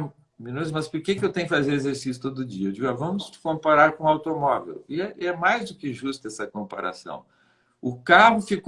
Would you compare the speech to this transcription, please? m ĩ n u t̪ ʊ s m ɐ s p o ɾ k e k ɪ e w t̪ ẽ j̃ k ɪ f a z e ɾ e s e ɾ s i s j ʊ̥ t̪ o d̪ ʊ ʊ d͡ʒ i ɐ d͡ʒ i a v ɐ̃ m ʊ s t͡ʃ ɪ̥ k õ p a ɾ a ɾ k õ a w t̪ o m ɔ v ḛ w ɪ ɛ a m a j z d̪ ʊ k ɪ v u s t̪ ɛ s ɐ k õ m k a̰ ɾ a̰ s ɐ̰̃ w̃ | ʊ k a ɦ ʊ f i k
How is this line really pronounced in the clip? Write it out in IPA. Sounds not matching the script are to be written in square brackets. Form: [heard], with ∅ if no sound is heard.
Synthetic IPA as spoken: m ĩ n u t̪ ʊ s m ɐ s p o ɾ k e k ɪ e w t̪ ẽ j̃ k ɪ f a z e ɾ e [z] e ɾ s i s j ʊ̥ t̪ o d̪ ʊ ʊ d͡ʒ i ɐ d͡ʒ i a v ɐ̃ m ʊ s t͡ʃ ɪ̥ k õ p a ɾ a ɾ k õ a w t̪ o m ɔ v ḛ w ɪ ɛ [ɛ] m a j z d̪ ʊ k ɪ [ʒ] u s t̪ ɛ s ɐ k õ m [p] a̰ ɾ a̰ s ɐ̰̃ w̃ | ʊ k a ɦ ʊ f i k

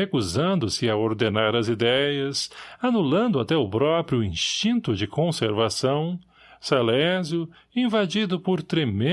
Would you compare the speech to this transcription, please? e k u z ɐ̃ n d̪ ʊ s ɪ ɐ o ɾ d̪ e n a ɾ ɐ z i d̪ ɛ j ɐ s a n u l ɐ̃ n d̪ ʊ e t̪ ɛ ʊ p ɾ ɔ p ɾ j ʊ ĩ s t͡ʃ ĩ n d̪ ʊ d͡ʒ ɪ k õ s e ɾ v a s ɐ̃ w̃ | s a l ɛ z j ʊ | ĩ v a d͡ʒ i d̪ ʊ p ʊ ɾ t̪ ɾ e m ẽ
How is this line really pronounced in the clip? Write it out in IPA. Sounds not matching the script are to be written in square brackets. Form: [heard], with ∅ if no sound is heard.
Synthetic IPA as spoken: e k u z ɐ̃ n d̪ ʊ s ɪ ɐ o ɾ d̪ e n a ɾ ɐ z i d̪ ɛ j ɐ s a n u l ɐ̃ n d̪ ʊ [a] t̪ ɛ ʊ p ɾ ɔ p ɾ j ʊ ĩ s t͡ʃ ĩ n [t̪] ʊ d͡ʒ ɪ k õ s e ɾ v a s ɐ̃ w̃ | s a l ɛ z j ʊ | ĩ v a d͡ʒ i d̪ ʊ p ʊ ɾ t̪ ɾ e m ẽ

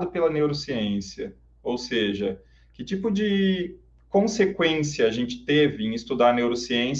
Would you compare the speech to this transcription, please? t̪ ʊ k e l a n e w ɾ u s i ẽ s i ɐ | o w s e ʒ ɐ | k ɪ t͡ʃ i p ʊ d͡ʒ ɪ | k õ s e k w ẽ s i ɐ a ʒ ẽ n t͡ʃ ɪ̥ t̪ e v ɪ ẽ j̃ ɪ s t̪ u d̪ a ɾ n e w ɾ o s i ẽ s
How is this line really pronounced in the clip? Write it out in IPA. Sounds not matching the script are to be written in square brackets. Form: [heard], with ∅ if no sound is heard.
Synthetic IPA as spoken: [d̪] ʊ [p] e l [ɐ] n e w ɾ [o] s i ẽ s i ɐ | o w s e ʒ ɐ | k ɪ t͡ʃ i p ʊ d͡ʒ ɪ | k õ s e k w ẽ s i ɐ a ʒ ẽ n t͡ʃ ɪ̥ t̪ e v ɪ ẽ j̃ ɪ s t̪ u d̪ a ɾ n e w ɾ o s i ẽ s

